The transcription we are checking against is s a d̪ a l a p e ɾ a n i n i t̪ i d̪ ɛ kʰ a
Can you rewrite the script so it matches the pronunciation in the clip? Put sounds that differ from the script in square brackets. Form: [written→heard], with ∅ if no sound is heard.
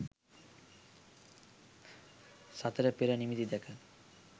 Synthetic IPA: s a [d̪→t̪] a [l→ɾ] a p e ɾ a n i [n→m] i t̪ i d̪ ɛ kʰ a